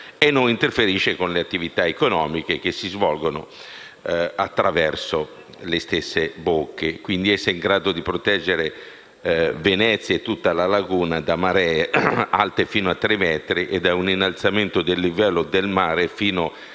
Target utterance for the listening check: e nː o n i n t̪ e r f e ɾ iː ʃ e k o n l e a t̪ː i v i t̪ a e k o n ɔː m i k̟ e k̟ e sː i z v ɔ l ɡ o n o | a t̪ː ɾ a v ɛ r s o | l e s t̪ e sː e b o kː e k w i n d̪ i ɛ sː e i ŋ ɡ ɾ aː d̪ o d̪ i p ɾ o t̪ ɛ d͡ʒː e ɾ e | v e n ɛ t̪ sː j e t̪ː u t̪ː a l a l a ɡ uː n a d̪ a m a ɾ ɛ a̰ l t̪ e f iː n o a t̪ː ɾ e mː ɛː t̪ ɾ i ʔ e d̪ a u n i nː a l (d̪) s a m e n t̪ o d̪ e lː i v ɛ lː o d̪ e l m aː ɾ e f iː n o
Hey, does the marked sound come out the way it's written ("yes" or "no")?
no